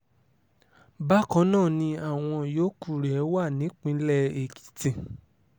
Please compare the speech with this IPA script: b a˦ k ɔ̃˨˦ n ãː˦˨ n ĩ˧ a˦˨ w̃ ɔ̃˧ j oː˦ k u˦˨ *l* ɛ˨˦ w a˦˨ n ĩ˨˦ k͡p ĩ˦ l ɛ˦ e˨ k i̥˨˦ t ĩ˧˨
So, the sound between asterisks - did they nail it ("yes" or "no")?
no